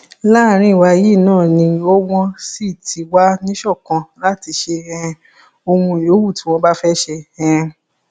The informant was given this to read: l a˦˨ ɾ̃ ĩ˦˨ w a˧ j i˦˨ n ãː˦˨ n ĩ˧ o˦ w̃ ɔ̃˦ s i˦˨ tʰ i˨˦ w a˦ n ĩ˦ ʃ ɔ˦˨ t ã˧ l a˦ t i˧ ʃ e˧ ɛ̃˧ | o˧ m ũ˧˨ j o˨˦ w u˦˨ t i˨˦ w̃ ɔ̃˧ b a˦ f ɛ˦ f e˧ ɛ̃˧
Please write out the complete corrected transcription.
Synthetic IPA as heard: l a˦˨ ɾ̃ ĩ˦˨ w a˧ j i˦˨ n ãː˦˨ n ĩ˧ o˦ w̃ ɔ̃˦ s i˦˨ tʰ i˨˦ w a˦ n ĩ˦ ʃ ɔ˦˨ k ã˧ l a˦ t i˧ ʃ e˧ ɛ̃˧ | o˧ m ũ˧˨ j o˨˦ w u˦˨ t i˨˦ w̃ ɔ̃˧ b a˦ f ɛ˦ ʃ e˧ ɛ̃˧